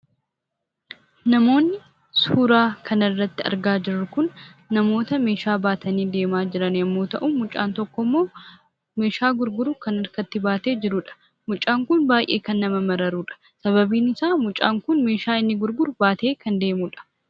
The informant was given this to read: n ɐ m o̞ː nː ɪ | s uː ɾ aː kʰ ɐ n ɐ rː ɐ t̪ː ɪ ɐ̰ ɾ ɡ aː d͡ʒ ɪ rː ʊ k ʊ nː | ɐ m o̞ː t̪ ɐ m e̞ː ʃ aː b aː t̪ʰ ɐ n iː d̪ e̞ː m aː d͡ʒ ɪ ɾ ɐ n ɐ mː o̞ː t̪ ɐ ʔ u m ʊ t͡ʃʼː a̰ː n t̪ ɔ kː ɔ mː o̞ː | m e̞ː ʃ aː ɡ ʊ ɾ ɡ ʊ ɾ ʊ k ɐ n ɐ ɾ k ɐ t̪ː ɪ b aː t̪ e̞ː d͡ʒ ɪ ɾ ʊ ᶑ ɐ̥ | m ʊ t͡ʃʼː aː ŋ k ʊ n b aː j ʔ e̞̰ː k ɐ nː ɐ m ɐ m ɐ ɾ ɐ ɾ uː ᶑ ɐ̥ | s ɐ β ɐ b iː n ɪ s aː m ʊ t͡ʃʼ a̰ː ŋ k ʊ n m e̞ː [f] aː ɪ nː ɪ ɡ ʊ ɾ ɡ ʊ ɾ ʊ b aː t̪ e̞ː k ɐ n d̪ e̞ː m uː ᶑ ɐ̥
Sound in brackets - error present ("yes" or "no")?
yes